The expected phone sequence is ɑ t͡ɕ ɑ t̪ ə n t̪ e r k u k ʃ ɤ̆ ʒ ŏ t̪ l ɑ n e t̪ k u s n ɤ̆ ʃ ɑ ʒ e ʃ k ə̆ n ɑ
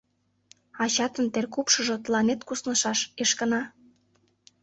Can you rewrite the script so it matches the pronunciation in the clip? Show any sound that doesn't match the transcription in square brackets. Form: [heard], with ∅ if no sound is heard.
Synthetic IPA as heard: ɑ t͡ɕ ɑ t̪ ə n t̪ e r k u [p] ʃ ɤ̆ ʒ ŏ t̪ l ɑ n e t̪ k u s n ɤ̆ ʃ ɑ [ʃ] e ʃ k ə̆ n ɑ